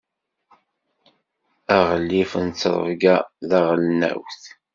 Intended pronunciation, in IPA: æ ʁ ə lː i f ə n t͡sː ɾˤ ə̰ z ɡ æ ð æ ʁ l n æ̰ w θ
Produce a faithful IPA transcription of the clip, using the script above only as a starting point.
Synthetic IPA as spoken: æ ʁ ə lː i f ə n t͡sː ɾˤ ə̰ v ɡ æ ð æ ʁ l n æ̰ w θ